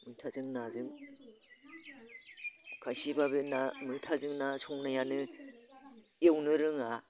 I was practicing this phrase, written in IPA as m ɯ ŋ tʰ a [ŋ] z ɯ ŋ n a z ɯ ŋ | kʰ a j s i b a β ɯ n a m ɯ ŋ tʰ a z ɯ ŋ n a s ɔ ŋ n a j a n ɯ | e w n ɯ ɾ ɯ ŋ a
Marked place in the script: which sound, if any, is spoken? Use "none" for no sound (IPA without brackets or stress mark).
none